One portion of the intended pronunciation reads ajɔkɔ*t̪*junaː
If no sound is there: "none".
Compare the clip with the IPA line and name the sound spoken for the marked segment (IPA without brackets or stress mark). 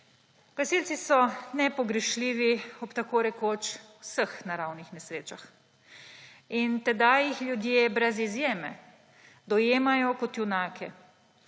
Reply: t̪